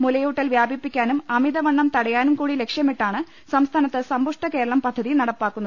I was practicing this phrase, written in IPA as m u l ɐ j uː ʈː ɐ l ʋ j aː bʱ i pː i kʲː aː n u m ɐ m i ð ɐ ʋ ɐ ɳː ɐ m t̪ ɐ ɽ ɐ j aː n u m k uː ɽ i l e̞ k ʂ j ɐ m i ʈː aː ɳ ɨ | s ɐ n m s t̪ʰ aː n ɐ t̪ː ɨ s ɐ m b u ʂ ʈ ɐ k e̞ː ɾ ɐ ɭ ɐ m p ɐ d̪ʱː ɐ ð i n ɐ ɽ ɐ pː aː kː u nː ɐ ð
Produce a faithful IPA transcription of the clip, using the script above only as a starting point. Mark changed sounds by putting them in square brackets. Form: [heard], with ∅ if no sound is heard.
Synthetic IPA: m u l ɐ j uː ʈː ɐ l ʋ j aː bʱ i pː i kʲː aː n u m ɐ m i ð ɐ ʋ ɐ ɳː ɐ m t̪ ɐ ɽ ɐ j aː n u m k uː ɽ i l e̞ k ʂ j ɐ m i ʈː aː ɳ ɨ | s ɐ [∅] m s t̪ʰ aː n ɐ t̪ː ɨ s ɐ m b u ʂ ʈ ɐ k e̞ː ɾ ɐ ɭ ɐ m p ɐ d̪ʱː ɐ ð i n ɐ ɽ ɐ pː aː kː u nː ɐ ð